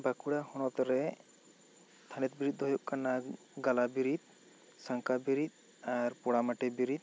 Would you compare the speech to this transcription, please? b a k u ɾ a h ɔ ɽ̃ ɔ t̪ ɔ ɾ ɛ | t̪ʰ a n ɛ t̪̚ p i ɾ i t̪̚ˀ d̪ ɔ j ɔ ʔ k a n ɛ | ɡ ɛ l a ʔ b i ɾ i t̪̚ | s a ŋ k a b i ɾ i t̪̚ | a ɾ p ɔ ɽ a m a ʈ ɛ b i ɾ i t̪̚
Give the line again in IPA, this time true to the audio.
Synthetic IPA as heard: b a k u ɽ a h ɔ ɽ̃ ɔ t̪ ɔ ɾ ɛ | t̪ʰ a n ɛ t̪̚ b i ɾ i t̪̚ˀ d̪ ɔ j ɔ ʔ k a n a | ɡ a l a b i ɾ i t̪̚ | s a ŋ k a b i ɾ i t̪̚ | a ɾ p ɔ ɽ a m a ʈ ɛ b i ɾ i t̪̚